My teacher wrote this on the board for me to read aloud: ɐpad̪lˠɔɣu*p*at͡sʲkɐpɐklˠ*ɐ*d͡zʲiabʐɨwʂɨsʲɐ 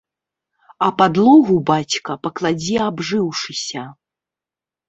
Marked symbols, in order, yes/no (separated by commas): no, no